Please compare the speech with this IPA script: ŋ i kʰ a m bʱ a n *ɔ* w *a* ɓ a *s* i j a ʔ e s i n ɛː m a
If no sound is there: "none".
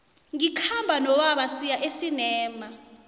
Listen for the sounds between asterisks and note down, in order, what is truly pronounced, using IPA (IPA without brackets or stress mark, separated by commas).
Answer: ɔ, a, s